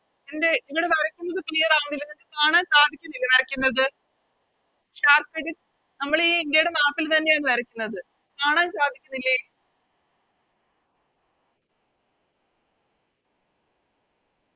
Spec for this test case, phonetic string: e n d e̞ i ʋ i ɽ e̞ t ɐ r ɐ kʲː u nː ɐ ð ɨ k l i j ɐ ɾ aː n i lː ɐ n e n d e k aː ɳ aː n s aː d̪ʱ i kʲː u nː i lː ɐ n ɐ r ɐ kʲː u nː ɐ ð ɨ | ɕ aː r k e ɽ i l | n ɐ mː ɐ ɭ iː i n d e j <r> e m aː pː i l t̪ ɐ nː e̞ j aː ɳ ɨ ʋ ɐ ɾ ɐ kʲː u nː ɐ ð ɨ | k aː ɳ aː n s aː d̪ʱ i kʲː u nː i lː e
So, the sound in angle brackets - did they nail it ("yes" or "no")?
no